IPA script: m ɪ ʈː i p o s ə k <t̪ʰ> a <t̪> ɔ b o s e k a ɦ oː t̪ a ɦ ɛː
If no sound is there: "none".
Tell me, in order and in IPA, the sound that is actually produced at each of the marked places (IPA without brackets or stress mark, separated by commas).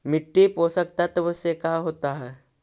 t̪, t̪